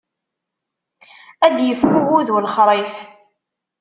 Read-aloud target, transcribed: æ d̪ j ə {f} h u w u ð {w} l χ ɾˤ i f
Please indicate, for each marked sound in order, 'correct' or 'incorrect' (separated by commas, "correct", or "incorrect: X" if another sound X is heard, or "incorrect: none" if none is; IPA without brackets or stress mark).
correct, correct